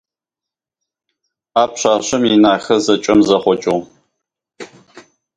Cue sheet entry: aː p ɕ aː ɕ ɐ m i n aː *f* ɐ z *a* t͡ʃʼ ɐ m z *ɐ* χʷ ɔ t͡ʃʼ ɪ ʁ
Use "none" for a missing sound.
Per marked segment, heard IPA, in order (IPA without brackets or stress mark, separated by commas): x, ɐ, ɐ